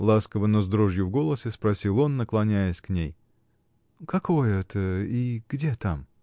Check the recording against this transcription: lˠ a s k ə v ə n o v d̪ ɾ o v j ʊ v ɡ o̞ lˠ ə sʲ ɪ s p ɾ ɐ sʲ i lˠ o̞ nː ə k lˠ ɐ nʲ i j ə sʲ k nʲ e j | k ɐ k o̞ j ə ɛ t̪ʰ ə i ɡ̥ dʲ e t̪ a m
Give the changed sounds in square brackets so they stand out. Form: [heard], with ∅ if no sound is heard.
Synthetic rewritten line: lˠ a s k ə v ə n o [z] d̪ ɾ o [ʐ] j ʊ v ɡ o̞ lˠ ə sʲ ɪ s p ɾ ɐ sʲ i lˠ o̞ nː ə k lˠ ɐ nʲ [æ] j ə sʲ k nʲ e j | k ɐ k o̞ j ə ɛ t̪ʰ ə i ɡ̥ dʲ e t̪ a m